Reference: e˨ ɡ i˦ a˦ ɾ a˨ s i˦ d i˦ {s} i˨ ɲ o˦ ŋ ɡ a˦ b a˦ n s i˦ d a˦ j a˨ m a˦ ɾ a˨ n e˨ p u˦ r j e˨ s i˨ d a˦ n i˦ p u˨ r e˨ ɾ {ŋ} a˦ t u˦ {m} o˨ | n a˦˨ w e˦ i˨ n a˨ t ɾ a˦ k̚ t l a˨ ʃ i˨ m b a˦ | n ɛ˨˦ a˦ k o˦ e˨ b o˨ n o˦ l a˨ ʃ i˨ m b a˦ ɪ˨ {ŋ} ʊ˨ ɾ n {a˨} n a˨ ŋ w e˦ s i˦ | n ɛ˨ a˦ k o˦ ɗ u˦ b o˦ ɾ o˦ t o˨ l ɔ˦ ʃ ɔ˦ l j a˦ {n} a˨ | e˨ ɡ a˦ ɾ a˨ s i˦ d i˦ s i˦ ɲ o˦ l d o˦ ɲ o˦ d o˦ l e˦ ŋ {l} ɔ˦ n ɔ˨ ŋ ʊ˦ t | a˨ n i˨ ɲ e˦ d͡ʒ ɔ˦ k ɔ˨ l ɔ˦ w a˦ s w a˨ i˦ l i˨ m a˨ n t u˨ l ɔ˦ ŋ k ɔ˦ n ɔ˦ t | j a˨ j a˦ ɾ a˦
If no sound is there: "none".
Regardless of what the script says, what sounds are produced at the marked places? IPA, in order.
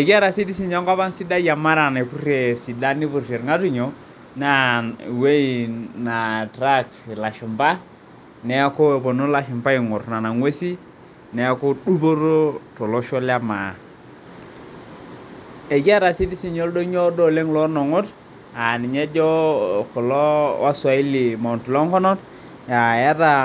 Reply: s, ŋ, ɲ, ŋ, a˨, m, l

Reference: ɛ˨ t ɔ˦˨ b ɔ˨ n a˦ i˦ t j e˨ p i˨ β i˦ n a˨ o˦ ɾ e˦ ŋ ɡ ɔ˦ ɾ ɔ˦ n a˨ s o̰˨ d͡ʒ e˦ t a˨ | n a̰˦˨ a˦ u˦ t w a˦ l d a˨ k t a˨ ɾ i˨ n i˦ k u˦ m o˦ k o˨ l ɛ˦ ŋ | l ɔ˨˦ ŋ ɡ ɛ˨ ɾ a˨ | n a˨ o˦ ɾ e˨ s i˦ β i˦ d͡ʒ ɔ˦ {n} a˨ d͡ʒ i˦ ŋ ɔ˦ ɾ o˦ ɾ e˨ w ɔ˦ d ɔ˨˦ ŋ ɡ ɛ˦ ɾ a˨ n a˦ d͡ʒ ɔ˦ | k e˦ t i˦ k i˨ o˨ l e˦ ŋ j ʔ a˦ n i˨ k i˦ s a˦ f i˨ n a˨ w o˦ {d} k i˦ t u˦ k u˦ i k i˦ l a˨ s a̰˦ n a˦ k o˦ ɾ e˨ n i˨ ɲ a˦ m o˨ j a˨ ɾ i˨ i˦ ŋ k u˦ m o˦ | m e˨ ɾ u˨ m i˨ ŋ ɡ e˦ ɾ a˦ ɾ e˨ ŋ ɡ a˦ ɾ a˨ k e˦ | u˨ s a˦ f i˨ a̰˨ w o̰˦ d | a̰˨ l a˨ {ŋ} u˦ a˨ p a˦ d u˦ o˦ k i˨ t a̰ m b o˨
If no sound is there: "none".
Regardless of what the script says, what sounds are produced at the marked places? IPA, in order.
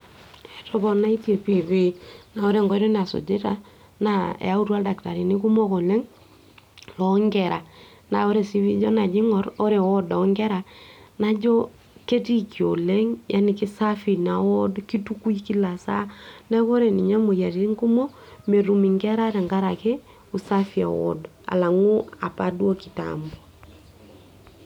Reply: n, d, ŋ

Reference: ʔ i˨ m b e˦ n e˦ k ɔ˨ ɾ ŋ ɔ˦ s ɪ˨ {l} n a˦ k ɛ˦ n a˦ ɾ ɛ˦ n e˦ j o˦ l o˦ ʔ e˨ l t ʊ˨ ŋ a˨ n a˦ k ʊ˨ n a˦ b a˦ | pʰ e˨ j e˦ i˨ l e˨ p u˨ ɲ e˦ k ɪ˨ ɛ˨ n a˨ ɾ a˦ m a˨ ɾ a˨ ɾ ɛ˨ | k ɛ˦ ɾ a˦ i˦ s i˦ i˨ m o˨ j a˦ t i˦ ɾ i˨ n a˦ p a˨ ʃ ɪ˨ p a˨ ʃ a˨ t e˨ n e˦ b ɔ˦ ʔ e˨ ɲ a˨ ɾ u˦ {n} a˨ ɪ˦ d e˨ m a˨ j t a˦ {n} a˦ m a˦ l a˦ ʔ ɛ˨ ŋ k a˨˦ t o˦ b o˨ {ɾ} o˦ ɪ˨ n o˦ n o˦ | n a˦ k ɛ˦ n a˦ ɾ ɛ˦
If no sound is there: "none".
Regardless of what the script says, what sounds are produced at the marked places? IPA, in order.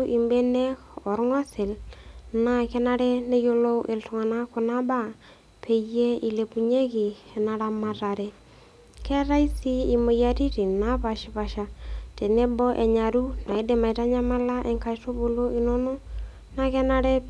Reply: l, n, ɲ, l

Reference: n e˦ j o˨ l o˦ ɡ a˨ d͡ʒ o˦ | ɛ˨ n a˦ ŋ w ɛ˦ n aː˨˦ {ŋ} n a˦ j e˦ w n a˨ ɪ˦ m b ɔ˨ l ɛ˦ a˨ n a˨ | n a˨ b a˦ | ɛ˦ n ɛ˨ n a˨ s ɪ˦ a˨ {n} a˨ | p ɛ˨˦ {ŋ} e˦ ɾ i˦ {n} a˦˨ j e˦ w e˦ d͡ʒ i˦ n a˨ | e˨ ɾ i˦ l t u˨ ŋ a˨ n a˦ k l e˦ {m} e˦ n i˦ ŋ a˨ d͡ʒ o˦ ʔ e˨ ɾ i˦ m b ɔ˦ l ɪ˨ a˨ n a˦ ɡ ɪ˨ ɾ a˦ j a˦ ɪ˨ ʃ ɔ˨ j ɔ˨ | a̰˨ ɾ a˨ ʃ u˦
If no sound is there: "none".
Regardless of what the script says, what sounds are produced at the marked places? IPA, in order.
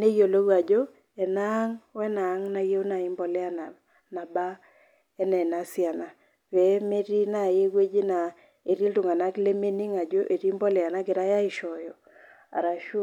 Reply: ŋ, n, m, n, m

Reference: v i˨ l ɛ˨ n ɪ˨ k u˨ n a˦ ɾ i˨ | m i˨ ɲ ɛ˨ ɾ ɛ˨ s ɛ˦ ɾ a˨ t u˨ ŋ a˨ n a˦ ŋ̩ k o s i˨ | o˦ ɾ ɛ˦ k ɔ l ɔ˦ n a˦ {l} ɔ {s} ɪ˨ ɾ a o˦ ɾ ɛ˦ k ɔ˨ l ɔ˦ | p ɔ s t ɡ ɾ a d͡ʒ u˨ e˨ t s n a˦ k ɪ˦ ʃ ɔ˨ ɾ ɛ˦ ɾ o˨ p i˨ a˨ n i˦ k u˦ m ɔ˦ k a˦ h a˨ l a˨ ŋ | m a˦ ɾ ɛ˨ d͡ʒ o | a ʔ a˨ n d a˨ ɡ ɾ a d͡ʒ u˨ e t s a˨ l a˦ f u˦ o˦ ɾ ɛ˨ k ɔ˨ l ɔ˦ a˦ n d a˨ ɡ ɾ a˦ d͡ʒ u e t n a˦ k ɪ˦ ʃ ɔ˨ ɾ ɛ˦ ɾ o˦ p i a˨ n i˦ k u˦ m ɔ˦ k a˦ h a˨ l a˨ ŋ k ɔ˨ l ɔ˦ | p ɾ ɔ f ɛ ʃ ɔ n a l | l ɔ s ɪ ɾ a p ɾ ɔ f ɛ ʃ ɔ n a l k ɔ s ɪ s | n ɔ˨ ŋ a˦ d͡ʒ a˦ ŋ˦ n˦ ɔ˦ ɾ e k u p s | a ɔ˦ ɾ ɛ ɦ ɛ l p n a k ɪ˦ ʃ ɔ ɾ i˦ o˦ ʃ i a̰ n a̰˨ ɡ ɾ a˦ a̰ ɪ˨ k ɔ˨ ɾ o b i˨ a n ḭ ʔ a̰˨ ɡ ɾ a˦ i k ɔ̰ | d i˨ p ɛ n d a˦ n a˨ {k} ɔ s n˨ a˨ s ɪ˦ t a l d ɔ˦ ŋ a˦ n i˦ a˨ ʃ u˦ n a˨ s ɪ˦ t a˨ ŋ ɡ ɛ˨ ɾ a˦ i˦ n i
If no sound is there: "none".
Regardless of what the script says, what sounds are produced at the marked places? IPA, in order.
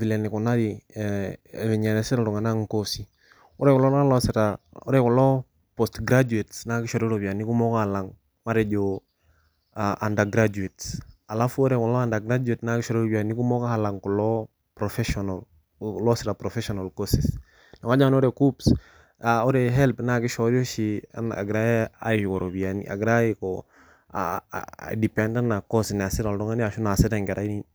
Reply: l, s, k

